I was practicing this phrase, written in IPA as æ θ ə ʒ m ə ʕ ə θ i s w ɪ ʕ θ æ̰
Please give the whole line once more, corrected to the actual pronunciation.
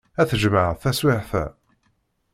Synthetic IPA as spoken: æ θ ə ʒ m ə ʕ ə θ æ s w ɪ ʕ θ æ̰

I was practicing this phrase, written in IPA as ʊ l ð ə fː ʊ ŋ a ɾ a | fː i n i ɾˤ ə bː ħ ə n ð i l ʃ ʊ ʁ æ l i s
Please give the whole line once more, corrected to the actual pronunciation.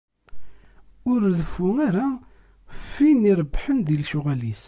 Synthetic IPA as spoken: ʊ ɾ ð ə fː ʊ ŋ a ɾ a | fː i n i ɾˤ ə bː ħ ə n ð i l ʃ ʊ ʁ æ l i s

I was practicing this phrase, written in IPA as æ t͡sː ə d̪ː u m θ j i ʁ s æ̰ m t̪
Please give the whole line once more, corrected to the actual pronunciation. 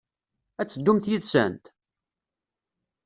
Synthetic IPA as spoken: æ t͡sː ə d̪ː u m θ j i ð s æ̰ n t̪

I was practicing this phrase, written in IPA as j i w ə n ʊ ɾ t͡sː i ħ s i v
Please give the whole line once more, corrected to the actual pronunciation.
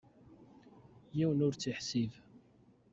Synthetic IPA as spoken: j i w ə n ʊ ɾ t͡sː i ħ s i v

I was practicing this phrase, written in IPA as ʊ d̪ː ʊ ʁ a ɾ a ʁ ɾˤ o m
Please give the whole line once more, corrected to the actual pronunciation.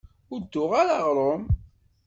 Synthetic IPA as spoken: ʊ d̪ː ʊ ʁ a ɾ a ʁ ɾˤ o m

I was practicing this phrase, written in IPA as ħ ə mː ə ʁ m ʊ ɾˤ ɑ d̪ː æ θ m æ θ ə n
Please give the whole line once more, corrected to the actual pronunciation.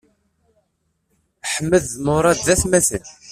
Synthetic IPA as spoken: ħ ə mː ə ð m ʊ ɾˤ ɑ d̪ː æ θ m æ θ ə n

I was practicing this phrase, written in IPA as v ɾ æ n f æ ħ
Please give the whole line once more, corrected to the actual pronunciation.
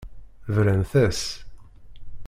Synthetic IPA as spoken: v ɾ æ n θ æ s

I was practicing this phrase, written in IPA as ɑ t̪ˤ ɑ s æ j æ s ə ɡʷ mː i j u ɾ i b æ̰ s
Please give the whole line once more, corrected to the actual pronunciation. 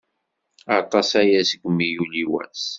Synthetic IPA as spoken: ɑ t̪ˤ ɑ s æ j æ s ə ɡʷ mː i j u l i w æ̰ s

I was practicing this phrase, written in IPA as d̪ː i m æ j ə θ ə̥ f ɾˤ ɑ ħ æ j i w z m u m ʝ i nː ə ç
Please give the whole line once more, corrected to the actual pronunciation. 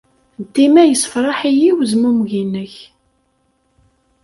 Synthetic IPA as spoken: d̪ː i m æ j ə s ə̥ f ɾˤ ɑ ħ i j i w z m u m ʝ i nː ə ç

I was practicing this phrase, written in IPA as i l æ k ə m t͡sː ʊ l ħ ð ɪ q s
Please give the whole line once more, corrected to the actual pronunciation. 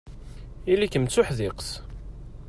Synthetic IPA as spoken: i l i k ə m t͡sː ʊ ħ ð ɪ q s

